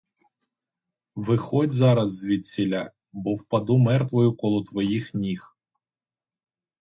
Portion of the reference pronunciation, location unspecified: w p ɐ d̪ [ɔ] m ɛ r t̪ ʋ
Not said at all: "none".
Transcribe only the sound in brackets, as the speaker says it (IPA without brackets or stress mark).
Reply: u